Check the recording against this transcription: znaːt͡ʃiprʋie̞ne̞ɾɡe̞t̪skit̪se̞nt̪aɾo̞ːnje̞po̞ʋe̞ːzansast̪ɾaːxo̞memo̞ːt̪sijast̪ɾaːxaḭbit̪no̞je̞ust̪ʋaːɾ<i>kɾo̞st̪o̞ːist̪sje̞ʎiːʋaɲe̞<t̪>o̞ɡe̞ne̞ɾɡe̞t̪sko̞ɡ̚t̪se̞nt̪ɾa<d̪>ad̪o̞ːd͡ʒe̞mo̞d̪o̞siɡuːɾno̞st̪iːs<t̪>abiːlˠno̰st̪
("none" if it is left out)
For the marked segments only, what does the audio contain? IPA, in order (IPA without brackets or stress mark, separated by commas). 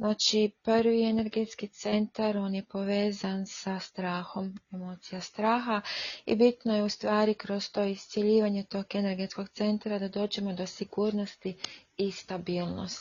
i, t̪, d̪, t̪